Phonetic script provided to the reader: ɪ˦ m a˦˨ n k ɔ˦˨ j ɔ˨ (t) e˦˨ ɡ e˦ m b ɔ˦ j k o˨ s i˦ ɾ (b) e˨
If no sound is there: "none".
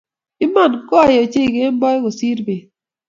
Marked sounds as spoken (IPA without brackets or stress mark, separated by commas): t͡ʃ, b